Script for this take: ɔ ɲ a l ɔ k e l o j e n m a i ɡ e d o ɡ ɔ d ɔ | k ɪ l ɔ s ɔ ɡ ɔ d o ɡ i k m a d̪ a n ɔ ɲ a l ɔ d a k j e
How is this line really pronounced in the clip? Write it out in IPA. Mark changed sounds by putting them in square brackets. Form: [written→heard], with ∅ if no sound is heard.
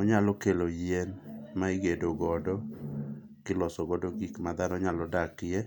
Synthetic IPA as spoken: ɔ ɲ a l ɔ k e l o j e n m a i ɡ e d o ɡ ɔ d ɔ | k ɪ l ɔ s ɔ ɡ ɔ d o ɡ i k m a d̪ a n ɔ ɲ a l ɔ d a k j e